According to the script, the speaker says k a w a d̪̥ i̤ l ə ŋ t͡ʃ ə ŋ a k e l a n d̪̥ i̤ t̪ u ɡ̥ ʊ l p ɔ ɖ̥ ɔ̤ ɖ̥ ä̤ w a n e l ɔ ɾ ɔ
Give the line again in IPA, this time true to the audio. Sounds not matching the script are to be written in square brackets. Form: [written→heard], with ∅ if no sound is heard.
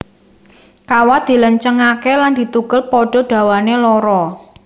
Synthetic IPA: k a w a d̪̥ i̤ l ə [ŋ→ɲ] t͡ʃ ə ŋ a k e l a n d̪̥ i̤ t̪ u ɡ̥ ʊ l p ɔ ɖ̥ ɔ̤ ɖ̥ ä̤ w a n e l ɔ ɾ ɔ